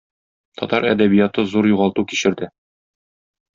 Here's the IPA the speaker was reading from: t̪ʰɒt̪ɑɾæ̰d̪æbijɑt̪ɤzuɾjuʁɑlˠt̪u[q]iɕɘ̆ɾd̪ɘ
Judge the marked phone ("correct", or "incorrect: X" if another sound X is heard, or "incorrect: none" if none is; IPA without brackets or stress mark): incorrect: k